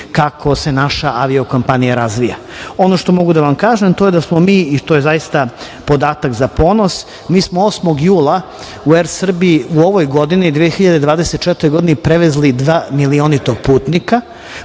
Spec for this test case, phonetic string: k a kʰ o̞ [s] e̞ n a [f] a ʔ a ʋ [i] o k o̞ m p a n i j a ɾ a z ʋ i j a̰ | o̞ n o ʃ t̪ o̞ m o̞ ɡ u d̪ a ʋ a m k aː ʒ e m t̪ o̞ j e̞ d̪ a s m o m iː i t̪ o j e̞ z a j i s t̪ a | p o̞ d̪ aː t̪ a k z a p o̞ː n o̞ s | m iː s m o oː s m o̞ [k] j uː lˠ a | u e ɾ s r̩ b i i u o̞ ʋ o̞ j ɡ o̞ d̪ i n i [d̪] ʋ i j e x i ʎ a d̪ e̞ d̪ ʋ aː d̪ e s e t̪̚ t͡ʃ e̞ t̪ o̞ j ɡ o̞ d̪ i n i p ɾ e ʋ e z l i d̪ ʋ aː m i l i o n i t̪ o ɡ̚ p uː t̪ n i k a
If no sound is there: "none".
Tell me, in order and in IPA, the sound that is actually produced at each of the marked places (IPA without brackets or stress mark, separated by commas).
s, ʃ, i, ɡ, d̪